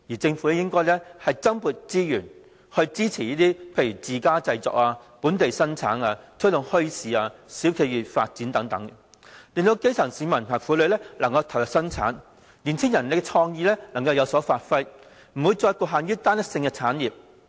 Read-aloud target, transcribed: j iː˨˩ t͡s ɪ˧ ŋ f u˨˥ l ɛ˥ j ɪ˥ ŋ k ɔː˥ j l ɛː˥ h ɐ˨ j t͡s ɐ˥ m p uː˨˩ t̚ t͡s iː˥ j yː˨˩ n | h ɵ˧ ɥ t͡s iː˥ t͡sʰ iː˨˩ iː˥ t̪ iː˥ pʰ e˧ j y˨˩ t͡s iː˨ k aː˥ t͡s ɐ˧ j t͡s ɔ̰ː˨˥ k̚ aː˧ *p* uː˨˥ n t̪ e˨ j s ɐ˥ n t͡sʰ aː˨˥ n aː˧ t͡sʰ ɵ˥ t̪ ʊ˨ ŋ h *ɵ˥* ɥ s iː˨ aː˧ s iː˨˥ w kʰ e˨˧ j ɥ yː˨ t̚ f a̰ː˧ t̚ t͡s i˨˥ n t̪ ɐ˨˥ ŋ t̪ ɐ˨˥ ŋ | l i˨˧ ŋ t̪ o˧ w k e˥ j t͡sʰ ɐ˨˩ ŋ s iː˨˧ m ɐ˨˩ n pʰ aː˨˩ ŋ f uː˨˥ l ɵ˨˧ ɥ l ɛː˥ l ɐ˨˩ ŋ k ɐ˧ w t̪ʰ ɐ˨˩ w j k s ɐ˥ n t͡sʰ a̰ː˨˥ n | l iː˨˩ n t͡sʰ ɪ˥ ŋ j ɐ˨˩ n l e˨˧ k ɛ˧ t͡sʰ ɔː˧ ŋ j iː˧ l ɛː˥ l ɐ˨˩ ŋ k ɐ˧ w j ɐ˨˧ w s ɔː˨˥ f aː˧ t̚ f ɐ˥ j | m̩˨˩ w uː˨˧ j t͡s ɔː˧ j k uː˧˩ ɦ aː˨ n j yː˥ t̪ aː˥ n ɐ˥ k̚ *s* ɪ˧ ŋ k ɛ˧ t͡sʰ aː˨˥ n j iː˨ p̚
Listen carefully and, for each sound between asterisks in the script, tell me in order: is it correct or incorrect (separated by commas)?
correct, correct, correct